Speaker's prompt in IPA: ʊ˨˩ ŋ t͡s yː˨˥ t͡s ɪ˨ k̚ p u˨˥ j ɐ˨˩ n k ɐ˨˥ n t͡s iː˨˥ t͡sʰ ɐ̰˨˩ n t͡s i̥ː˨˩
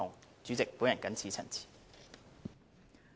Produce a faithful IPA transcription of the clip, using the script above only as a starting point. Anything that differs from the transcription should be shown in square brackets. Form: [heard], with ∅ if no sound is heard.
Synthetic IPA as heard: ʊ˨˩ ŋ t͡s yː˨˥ t͡s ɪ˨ k̚ p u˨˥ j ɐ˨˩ n k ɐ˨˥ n [t͡sʰ] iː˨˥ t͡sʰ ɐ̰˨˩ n [t͡sʰ] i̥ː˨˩